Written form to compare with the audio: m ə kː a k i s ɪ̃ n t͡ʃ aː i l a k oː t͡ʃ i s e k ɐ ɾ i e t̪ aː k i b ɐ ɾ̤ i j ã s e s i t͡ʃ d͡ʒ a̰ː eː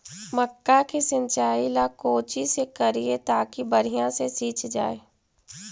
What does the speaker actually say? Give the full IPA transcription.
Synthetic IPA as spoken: m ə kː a k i s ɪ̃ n t͡ʃ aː i l a k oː t͡ʃ i s e k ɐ ɾ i e t̪ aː k i b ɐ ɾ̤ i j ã s e s iː t͡ʃ d͡ʒ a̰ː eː